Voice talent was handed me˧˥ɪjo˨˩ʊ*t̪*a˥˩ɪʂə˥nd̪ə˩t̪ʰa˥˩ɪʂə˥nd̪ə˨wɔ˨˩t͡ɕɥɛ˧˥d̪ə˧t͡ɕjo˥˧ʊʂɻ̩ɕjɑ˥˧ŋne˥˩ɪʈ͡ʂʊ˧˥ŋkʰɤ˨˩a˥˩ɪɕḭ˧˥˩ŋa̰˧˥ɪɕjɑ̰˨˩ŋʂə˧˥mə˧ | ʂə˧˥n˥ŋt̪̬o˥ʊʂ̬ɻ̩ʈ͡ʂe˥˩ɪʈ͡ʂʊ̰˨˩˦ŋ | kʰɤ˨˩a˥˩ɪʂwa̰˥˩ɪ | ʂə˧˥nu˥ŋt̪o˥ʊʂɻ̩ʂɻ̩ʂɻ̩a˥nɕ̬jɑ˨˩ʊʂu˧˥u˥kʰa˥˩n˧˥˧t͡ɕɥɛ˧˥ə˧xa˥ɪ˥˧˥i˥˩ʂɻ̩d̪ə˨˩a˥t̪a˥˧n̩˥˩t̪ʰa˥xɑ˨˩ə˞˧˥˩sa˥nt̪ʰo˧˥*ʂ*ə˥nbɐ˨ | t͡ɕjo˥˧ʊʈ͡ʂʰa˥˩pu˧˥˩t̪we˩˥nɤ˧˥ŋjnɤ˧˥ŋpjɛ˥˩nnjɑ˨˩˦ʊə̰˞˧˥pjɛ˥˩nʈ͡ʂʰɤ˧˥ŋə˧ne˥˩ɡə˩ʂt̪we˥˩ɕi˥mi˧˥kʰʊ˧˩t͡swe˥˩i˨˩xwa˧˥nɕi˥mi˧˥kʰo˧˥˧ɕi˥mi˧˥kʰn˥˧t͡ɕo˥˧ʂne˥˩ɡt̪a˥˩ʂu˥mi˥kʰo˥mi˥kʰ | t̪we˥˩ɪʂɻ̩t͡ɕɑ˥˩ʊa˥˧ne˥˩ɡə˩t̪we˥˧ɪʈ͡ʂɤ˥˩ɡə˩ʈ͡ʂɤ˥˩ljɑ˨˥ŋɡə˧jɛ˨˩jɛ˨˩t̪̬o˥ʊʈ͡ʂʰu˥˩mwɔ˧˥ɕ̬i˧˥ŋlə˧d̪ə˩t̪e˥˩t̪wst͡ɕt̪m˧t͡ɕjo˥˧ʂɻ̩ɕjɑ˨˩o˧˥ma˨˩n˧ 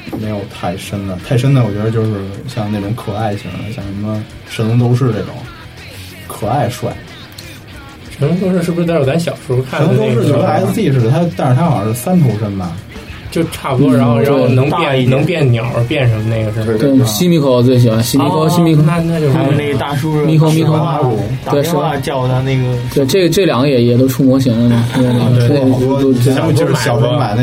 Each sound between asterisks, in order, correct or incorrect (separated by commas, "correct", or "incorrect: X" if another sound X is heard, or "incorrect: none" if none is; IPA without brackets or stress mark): incorrect: t̪ʰ, correct